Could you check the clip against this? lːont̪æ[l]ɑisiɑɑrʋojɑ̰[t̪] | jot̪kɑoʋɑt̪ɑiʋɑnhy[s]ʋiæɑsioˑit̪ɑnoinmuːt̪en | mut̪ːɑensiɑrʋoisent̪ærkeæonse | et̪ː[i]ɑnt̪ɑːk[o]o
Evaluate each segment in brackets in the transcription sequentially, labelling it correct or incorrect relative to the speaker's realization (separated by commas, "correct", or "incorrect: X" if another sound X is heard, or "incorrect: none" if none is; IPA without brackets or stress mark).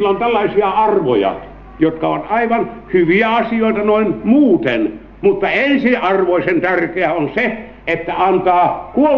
incorrect: lː, incorrect: none, incorrect: none, incorrect: æ, incorrect: u